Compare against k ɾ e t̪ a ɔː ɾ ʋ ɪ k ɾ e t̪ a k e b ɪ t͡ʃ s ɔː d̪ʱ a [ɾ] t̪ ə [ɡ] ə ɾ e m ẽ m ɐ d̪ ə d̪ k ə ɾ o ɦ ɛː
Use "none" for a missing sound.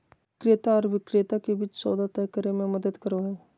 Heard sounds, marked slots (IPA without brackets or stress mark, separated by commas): none, k